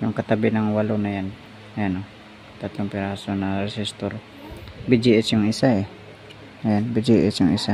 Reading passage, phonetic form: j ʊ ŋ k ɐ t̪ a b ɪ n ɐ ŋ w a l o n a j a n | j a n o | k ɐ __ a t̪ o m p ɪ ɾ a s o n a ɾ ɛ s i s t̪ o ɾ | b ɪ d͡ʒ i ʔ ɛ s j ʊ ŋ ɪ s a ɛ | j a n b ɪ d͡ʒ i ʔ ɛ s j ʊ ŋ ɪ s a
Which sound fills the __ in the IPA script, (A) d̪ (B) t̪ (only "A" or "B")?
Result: B